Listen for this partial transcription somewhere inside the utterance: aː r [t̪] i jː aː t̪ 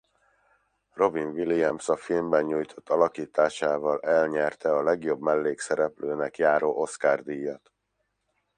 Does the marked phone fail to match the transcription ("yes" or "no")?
yes